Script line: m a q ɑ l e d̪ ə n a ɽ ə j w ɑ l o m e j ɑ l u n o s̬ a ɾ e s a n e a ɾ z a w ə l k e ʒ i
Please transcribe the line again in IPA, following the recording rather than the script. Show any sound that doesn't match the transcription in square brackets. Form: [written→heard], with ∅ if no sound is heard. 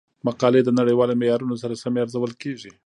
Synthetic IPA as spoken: m a q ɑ l e d̪ ə n a ɽ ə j w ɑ l o m e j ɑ [l→ɾ] u n o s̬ a ɾ [e→a] s a [n→m] e a ɾ z a w ə l k e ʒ i